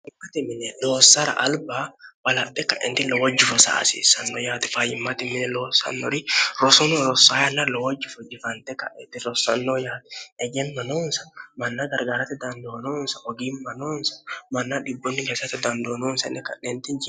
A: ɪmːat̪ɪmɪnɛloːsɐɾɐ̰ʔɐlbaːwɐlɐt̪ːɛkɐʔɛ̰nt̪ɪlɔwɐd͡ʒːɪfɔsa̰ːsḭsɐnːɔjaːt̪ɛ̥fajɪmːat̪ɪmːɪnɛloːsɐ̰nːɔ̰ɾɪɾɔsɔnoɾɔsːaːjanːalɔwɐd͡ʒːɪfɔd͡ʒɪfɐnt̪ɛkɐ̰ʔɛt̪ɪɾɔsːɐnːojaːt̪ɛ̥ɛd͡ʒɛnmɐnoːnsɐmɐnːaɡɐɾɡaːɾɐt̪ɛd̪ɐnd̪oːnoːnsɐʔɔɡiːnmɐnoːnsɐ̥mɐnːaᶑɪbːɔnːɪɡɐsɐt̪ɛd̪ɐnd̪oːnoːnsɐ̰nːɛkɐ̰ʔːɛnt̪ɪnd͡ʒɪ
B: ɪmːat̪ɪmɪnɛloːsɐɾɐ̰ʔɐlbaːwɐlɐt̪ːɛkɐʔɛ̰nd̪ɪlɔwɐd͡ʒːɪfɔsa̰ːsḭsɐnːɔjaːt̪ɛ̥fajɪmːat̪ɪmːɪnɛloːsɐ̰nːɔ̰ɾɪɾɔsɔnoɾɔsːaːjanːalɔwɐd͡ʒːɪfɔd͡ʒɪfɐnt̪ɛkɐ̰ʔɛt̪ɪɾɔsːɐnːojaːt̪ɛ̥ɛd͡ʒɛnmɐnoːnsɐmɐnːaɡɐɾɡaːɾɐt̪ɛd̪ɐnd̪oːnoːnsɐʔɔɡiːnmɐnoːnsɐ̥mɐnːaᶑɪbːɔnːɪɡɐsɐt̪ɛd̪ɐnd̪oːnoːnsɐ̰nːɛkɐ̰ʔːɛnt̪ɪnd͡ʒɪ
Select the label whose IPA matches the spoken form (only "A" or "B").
A